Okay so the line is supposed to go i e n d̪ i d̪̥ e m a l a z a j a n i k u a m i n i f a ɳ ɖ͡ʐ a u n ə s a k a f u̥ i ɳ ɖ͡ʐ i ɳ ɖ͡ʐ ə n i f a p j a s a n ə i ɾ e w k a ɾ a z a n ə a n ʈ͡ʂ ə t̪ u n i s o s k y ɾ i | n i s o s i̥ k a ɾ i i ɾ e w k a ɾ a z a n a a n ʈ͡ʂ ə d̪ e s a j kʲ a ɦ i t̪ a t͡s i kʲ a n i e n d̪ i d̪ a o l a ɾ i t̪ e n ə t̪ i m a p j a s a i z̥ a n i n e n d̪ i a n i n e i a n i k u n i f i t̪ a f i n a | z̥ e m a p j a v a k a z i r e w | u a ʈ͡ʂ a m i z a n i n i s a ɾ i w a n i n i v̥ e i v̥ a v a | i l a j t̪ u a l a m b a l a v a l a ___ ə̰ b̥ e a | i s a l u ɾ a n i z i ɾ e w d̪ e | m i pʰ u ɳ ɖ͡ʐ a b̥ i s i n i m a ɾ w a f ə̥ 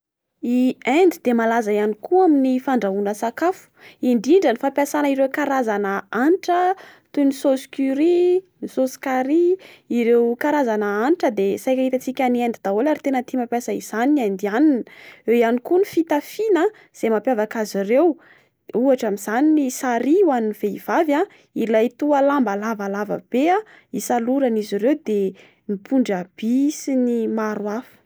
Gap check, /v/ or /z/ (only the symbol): v